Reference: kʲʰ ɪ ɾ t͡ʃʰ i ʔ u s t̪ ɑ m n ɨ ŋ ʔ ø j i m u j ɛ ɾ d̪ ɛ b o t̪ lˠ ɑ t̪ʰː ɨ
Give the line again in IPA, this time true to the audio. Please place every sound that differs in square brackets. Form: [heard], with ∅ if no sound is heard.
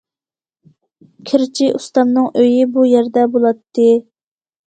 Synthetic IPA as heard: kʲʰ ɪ ɾ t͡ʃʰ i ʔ u s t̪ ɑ m n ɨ ŋ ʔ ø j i [b] u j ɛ ɾ d̪ ɛ b o [∅] lˠ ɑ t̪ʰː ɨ

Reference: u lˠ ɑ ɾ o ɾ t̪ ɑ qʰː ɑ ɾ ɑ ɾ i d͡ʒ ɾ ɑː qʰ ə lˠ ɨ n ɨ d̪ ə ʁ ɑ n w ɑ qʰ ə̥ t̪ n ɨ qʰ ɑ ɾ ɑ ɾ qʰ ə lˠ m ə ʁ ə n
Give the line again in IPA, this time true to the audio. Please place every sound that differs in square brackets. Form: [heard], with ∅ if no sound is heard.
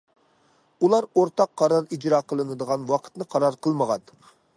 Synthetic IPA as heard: u lˠ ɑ ɾ o ɾ t̪ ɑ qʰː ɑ ɾ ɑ ɾ i d͡ʒ ɾ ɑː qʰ ə lˠ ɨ n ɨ d̪ ə ʁ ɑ n w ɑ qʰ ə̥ t̪ n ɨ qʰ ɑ ɾ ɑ ɾ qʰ ə lˠ m ə ʁ [ɑ] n

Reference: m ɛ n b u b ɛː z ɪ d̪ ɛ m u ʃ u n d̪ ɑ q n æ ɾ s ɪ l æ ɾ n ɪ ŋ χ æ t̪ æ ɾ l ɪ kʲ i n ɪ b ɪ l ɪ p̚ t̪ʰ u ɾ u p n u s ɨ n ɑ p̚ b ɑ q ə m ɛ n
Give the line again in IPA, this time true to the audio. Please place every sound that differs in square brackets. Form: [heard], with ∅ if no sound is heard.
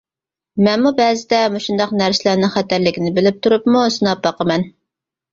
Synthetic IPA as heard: m ɛ n [m] u b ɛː z ɪ d̪ ɛ m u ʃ u n d̪ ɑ q n æ ɾ s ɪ l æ ɾ n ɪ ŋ χ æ t̪ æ ɾ l ɪ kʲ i n ɪ b ɪ l ɪ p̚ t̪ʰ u ɾ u p [m] u s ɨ n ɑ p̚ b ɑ q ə m ɛ n

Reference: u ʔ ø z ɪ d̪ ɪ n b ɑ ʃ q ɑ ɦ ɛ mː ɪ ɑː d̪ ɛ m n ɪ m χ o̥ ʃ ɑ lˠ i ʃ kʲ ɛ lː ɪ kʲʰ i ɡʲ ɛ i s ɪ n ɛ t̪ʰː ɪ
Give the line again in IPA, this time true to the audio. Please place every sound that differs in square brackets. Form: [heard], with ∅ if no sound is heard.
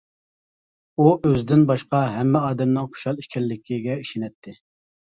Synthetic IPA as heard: u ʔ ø z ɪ d̪ ɪ n b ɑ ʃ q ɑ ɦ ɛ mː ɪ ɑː d̪ ɛ m n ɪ [ŋ] χ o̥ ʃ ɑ lˠ i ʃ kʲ ɛ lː ɪ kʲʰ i ɡʲ ɛ i [ʃ] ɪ n ɛ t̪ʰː ɪ

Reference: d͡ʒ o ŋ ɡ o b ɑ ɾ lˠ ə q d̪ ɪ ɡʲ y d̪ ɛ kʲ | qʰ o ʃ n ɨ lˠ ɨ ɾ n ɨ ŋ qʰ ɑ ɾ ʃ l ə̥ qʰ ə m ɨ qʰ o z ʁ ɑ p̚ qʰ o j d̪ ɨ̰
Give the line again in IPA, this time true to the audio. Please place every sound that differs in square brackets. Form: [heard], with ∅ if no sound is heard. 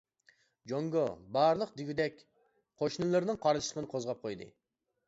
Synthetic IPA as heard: d͡ʒ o ŋ ɡ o b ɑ ɾ lˠ ə q d̪ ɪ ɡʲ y d̪ ɛ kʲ | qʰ o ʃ n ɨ lˠ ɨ ɾ n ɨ ŋ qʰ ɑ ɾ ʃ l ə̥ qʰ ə [n] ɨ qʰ o z ʁ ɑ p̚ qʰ o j d̪ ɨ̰

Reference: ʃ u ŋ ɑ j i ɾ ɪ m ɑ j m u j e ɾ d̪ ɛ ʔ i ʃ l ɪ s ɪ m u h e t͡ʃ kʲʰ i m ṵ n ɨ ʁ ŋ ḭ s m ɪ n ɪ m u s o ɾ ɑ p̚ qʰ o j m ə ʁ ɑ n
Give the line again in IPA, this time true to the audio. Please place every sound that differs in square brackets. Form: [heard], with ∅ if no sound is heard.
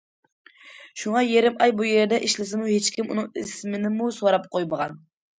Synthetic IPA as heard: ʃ u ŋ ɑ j [e] ɾ ɪ m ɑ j [b] u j e ɾ d̪ ɛ ʔ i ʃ l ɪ s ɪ m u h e t͡ʃ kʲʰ i m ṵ n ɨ [∅] ŋ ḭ s m ɪ n ɪ m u s o ɾ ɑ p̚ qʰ o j m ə ʁ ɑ n

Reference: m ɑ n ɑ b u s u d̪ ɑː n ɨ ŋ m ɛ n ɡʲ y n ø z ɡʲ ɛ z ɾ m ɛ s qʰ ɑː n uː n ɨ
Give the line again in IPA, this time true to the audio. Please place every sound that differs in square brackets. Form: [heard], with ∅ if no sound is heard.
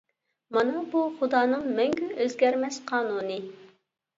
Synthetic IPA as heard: m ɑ n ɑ b u [χ] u d̪ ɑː n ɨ ŋ m ɛ [ŋ] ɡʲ y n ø z ɡʲ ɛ [∅] ɾ m ɛ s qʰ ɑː n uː n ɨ

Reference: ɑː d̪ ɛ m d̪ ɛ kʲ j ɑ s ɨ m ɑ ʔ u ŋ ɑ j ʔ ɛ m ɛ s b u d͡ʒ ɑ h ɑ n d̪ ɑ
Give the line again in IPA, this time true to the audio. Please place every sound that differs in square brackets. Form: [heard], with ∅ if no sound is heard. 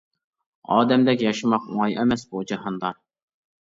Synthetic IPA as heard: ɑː d̪ ɛ m d̪ ɛ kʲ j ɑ [ʃ] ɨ m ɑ [q] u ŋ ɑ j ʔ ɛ m ɛ s b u d͡ʒ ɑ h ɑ n d̪ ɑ

